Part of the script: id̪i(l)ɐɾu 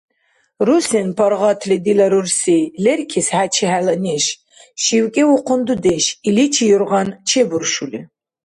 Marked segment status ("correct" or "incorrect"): correct